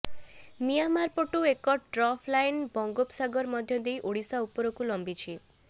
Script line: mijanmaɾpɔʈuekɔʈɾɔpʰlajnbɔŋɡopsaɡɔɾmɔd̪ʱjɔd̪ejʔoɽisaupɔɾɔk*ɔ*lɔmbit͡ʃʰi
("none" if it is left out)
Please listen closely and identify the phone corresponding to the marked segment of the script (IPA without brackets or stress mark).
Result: u